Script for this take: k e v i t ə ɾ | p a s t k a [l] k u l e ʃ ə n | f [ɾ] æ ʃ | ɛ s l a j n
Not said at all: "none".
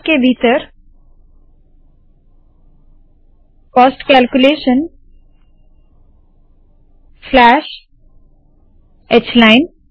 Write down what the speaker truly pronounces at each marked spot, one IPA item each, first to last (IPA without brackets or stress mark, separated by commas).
l, l